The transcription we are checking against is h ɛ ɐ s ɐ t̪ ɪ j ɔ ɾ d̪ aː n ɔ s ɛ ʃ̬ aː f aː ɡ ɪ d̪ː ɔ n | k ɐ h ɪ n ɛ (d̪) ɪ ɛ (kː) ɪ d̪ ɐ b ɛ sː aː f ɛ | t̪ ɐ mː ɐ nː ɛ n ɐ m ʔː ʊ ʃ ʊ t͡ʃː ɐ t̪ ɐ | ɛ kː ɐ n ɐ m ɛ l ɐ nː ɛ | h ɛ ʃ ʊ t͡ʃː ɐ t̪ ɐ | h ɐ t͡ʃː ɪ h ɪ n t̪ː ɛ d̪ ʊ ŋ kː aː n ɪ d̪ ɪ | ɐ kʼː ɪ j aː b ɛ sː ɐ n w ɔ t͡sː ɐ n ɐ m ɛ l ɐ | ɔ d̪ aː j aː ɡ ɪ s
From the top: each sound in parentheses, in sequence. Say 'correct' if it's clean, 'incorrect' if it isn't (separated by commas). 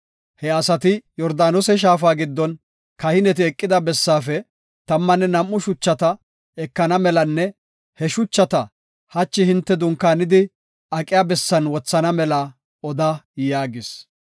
incorrect, incorrect